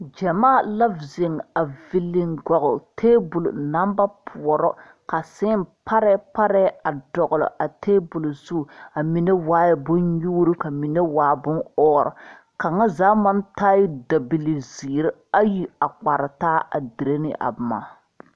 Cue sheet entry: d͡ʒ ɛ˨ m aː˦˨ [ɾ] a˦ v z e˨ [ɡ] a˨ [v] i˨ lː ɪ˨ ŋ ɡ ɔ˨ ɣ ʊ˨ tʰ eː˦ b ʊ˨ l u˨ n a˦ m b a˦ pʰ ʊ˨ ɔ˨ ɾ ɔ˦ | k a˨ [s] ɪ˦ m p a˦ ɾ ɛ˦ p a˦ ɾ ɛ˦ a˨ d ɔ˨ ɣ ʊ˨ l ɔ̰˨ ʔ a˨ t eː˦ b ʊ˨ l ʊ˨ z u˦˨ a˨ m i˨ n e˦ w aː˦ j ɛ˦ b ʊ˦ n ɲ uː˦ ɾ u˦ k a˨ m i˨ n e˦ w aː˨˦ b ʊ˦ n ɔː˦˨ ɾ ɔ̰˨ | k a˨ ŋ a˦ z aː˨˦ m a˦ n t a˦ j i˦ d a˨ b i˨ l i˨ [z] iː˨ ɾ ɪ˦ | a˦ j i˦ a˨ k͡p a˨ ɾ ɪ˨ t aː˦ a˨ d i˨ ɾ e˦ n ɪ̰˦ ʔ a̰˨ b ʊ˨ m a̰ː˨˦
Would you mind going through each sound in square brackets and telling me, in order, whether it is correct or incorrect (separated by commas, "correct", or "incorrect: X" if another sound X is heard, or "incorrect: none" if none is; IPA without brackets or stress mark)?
incorrect: l, incorrect: ŋ, correct, correct, correct